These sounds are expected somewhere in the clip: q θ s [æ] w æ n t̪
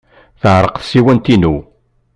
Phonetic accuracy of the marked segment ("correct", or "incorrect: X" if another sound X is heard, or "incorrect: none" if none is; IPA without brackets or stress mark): incorrect: i